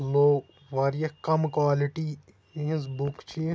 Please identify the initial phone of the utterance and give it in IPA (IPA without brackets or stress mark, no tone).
l